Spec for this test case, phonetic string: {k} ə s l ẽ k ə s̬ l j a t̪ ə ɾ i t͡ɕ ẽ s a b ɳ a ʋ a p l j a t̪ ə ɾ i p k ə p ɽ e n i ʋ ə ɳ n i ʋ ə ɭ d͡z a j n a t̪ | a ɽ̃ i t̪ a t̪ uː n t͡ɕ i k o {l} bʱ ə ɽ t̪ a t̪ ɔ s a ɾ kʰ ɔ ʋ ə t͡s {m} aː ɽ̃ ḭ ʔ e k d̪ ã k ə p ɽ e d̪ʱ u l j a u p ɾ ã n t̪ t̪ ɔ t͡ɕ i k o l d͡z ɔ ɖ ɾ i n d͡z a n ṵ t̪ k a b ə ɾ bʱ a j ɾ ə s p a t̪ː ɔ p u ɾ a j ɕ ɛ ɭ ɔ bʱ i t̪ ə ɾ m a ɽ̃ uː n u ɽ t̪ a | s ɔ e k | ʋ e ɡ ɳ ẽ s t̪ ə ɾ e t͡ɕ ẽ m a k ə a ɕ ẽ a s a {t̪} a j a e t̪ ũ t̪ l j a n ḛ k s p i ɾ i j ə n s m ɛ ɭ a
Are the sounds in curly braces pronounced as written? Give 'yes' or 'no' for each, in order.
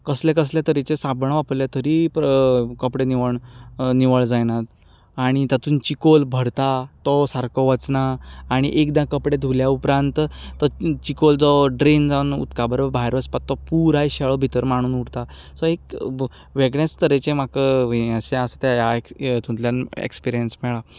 yes, yes, no, yes

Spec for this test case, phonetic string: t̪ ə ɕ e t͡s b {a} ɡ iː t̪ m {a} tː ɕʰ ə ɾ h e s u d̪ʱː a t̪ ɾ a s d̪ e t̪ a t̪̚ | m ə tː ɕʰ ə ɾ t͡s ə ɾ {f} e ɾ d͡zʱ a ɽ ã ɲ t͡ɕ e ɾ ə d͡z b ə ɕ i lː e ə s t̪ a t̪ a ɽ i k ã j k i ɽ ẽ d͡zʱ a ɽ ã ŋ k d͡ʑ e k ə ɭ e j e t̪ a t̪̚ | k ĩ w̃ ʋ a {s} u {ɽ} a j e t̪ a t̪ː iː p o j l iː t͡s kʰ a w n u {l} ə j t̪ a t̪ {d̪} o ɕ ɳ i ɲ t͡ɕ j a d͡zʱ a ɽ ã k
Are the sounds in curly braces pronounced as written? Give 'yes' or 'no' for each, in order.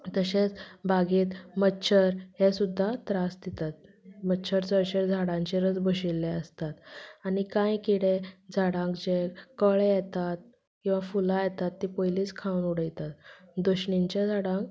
yes, no, no, no, no, no, yes

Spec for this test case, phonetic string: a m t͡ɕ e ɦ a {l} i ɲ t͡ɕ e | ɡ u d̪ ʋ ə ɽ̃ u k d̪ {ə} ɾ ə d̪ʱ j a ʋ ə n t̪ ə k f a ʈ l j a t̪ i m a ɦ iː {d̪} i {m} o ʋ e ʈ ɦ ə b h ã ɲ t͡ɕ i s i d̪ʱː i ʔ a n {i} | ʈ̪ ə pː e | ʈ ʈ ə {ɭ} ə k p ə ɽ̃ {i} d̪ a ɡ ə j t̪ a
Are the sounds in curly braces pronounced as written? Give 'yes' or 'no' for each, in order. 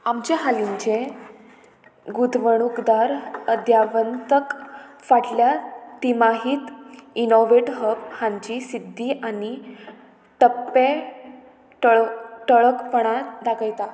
yes, no, no, no, yes, yes, no

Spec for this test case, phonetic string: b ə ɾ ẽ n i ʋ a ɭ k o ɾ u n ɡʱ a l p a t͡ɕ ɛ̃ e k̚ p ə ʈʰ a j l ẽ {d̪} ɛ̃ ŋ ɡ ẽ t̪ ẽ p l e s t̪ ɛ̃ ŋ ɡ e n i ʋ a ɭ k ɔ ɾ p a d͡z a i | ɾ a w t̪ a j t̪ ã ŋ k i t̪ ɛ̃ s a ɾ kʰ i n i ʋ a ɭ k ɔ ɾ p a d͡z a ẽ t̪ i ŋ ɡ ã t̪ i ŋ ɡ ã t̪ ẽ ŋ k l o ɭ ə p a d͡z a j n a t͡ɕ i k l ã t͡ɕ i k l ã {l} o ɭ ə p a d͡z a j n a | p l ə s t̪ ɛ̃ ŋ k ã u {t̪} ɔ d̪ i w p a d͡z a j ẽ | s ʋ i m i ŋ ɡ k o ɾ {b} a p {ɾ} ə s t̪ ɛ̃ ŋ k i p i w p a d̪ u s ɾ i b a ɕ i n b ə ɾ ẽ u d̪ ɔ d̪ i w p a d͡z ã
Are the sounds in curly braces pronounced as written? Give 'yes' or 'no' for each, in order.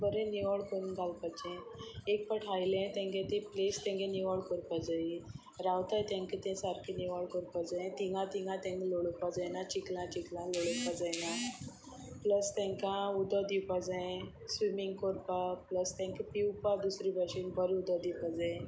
no, yes, no, no, no

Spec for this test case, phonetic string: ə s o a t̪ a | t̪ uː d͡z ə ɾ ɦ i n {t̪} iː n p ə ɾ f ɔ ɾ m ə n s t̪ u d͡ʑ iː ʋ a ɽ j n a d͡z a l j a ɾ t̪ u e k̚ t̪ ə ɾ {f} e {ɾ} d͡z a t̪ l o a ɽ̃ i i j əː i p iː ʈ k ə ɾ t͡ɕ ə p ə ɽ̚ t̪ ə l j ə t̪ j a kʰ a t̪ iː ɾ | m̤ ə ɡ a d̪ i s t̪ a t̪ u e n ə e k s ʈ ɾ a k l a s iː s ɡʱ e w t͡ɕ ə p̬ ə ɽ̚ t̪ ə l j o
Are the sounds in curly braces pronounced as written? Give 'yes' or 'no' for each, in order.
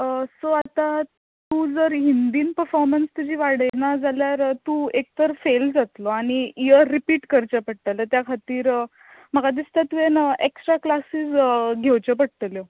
no, yes, no

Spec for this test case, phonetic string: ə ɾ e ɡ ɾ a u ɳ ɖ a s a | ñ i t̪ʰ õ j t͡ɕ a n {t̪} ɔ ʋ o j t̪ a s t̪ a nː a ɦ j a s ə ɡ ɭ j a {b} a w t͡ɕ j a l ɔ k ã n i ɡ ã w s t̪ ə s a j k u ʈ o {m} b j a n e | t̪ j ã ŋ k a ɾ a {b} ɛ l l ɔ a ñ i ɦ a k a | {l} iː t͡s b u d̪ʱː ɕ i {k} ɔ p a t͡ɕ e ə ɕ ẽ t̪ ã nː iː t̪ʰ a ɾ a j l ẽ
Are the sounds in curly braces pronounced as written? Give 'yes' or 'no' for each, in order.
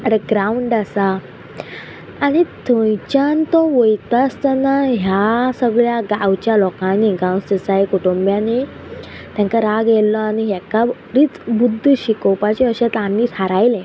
yes, no, yes, no, no, yes

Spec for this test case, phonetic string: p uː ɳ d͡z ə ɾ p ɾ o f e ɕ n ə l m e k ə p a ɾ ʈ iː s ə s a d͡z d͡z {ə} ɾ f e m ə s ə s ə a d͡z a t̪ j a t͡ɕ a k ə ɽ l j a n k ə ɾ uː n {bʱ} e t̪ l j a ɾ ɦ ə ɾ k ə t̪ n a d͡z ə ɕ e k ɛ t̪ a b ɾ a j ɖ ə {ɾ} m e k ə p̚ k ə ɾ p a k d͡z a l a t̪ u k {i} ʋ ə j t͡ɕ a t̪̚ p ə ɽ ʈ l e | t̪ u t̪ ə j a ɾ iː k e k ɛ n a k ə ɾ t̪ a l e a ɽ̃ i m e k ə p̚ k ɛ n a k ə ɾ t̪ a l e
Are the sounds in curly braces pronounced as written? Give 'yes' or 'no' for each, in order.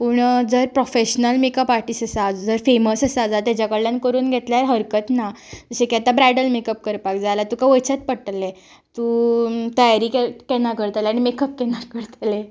yes, no, no, no

